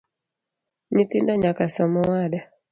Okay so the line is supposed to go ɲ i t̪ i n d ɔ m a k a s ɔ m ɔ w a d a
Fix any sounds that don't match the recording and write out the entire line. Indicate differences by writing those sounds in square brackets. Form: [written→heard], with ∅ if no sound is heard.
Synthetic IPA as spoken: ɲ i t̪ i n d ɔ [m→ɲ] a k a s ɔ m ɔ w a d a